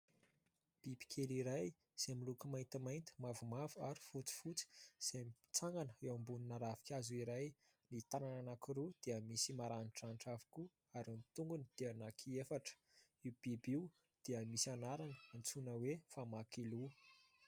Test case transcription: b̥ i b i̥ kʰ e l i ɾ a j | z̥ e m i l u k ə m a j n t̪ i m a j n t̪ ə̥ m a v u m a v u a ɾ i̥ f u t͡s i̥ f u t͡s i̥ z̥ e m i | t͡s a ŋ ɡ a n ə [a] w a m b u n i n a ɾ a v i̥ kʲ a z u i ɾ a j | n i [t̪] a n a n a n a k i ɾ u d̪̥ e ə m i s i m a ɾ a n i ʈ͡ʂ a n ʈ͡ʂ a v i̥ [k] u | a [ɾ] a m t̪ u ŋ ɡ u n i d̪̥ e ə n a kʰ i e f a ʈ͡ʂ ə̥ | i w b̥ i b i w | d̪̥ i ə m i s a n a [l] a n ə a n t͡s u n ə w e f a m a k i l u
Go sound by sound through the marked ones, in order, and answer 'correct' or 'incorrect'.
incorrect: e, correct, correct, correct, incorrect: ɾ

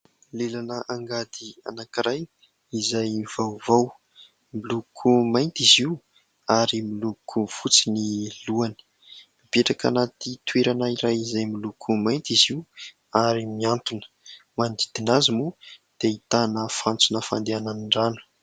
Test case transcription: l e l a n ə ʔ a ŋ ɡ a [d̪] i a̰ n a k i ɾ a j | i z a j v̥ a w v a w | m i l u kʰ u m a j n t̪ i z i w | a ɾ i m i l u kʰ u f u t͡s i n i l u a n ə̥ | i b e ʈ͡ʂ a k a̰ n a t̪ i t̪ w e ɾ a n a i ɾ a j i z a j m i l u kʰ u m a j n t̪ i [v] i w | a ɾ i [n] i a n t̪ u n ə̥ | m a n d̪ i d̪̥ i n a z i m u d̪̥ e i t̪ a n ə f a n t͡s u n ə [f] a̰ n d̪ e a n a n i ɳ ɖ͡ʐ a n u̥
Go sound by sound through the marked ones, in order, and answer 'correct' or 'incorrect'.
correct, incorrect: z, incorrect: m, correct

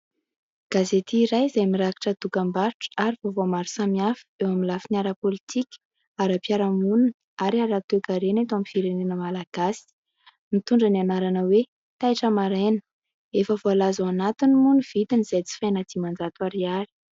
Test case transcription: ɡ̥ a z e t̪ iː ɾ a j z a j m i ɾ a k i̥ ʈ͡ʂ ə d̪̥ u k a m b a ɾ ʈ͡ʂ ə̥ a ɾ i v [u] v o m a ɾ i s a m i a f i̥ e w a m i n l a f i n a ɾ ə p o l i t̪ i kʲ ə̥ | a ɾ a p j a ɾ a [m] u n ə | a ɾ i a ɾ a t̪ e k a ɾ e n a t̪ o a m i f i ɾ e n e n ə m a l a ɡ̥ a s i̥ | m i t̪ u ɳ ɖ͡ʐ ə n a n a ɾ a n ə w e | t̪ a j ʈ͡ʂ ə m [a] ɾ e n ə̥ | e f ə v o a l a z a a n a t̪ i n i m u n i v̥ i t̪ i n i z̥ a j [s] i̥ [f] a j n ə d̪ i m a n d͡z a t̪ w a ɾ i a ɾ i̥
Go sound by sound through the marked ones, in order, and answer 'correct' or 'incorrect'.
incorrect: o, correct, correct, incorrect: t͡s, correct

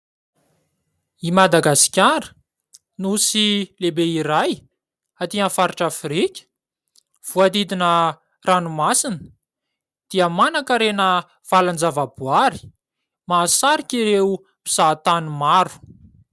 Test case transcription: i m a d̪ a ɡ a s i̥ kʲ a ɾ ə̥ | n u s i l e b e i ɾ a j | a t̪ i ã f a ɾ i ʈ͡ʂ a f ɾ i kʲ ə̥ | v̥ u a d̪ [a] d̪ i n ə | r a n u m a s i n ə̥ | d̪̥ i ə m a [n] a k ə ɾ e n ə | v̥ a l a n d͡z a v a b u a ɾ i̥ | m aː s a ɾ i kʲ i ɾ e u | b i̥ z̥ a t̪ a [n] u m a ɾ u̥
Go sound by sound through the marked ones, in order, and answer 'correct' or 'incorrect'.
incorrect: i, correct, correct

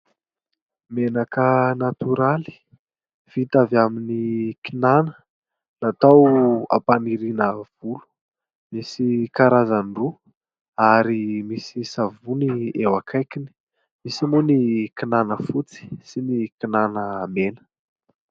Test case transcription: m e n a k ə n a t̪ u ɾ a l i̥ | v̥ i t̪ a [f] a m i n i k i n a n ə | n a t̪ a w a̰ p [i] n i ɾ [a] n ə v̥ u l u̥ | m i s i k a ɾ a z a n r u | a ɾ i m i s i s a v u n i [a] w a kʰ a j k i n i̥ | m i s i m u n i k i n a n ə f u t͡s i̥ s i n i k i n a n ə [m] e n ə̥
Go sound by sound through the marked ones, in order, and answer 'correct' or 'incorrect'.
incorrect: v, incorrect: a, incorrect: i, incorrect: e, correct

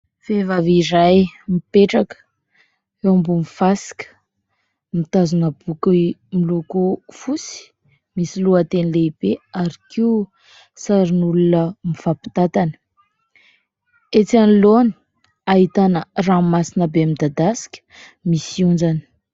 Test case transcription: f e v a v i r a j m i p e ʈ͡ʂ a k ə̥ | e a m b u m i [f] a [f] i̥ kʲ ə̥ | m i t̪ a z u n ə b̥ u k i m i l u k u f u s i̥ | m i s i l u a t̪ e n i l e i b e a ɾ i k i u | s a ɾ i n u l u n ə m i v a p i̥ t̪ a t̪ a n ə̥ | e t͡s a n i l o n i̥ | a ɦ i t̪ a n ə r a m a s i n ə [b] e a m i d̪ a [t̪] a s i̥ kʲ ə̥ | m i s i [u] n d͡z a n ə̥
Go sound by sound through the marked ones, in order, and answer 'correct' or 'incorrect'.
correct, incorrect: s, correct, incorrect: d̪, correct

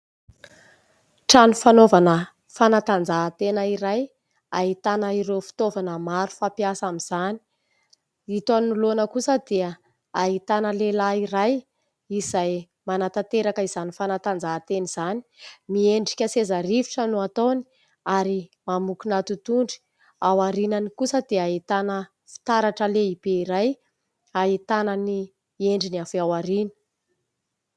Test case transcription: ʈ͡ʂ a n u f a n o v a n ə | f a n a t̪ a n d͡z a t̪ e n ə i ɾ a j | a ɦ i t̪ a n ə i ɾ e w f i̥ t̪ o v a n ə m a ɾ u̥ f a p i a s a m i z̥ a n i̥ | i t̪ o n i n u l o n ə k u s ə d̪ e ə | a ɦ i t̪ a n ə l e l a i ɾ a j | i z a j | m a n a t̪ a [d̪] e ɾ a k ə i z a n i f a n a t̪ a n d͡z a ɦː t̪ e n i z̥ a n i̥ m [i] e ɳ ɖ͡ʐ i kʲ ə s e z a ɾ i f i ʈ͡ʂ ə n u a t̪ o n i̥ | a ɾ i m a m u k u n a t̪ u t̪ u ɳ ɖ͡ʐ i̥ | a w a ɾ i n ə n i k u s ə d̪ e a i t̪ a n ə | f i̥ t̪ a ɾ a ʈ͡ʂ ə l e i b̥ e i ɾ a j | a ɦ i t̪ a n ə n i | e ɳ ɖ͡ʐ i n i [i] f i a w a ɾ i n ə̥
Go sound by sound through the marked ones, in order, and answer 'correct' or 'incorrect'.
incorrect: t̪, correct, incorrect: a

